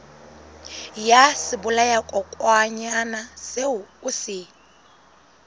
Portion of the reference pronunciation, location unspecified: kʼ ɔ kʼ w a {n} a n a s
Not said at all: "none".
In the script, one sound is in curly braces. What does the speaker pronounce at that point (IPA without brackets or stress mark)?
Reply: ɲ